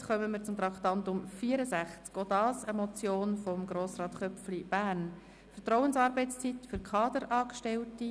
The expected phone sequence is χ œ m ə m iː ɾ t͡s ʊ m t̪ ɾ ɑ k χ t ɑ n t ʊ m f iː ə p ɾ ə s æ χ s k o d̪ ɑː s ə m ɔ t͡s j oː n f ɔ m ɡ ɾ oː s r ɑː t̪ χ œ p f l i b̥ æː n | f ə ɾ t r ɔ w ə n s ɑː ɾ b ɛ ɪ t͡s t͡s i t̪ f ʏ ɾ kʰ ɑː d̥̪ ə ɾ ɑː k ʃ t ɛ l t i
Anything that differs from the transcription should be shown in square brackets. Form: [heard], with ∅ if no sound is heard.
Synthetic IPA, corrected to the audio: χ œ m ə m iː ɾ t͡s ʊ m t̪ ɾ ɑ k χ t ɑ n t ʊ m f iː ə [∅] ɾ ə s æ χ [t͡s] k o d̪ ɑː s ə m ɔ t͡s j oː n f ɔ m ɡ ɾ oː s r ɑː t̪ χ œ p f l i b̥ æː n | f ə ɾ t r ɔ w ə n s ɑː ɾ b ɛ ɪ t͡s t͡s i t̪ f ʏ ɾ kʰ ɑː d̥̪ ə ɾ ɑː k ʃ t ɛ l t i